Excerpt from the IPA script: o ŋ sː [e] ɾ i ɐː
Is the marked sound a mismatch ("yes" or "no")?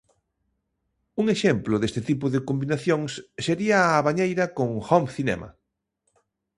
no